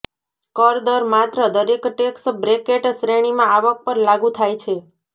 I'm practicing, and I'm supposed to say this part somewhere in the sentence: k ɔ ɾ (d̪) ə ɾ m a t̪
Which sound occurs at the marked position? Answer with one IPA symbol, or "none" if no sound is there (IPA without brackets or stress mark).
d̪